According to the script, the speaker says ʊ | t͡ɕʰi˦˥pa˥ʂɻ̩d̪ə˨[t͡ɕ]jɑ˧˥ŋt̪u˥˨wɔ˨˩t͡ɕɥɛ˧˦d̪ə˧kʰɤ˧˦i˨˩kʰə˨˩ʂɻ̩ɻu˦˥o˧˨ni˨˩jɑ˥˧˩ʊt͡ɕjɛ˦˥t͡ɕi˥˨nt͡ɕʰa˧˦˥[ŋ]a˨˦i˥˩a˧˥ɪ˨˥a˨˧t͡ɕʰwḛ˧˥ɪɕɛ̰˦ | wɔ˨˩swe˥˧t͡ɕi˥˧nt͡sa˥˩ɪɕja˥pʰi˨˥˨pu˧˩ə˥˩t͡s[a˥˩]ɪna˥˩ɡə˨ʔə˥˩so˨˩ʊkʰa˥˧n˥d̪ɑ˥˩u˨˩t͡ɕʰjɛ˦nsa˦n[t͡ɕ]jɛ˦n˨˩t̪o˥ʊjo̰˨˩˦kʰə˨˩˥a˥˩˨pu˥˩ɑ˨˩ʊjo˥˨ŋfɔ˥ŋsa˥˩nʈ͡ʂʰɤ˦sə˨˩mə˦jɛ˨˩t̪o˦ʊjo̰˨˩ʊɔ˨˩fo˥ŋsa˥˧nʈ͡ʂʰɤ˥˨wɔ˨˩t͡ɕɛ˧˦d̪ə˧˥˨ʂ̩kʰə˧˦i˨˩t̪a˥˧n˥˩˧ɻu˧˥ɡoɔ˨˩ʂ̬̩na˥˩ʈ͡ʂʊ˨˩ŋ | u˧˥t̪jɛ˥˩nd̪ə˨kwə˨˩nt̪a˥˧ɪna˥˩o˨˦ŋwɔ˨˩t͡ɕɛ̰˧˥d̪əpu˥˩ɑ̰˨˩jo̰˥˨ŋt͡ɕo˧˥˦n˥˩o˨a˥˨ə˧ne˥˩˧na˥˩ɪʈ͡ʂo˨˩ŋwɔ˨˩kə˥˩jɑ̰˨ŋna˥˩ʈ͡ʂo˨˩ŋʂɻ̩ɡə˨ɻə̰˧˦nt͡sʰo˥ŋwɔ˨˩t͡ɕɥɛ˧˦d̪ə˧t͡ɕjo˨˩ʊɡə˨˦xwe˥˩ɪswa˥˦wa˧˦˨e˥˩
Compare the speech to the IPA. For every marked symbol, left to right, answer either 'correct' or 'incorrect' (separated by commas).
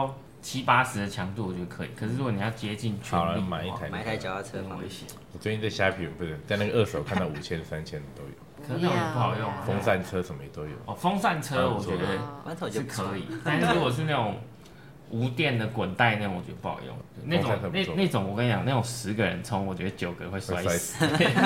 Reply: incorrect, incorrect, incorrect, incorrect